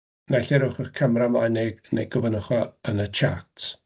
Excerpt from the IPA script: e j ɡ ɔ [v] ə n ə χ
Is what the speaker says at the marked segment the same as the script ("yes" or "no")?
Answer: yes